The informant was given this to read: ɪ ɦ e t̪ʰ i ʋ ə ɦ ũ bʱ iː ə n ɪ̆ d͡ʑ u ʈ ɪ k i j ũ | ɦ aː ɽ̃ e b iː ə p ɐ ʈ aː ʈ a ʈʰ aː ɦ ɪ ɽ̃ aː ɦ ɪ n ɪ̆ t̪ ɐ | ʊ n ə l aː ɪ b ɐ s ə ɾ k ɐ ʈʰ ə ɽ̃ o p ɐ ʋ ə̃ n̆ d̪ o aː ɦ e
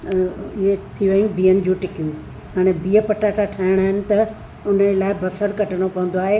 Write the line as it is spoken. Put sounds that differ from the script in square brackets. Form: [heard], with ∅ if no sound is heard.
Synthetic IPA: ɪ ɦ e t̪ʰ i ʋ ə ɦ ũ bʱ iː ə n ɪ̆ d͡ʑ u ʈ ɪ k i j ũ | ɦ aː ɽ̃ e b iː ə p ɐ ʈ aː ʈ a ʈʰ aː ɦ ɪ ɽ̃ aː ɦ ɪ n ɪ̆ t̪ ɐ | ʊ n ə l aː ɪ b ɐ s ə ɾ k ɐ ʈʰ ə ɽ̃ o p ɐ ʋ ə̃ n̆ d̪ o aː ɦ e